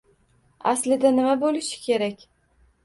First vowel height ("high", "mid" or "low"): low